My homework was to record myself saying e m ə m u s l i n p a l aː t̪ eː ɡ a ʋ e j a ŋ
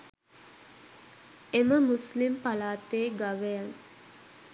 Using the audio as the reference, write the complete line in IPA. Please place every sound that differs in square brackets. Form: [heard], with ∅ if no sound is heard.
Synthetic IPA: e m ə m u s l i [m] p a l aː t̪ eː ɡ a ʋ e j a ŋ